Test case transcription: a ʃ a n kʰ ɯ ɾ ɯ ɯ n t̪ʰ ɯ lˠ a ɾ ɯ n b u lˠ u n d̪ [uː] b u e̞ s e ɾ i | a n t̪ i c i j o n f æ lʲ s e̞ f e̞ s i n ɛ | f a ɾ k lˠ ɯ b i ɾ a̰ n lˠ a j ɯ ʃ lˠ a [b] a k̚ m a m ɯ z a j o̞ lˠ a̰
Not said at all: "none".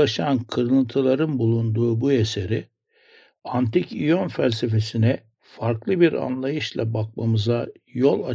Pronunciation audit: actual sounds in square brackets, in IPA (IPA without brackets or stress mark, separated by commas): uː, b